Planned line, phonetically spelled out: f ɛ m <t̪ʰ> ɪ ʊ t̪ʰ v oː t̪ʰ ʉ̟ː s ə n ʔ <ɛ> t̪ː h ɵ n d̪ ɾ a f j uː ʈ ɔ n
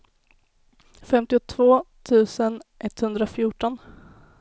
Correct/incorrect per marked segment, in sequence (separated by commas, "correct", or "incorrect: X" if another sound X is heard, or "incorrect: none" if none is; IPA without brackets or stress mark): incorrect: t̪, correct